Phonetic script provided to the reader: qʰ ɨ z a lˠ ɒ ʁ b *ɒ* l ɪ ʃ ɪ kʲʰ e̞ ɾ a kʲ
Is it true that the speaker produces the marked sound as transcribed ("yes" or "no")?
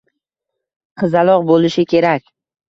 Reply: no